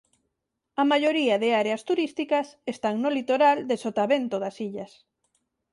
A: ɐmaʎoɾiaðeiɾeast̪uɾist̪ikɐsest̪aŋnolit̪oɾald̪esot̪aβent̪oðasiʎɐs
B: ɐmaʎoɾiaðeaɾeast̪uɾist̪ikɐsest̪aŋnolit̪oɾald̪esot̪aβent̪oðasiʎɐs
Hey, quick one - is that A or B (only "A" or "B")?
B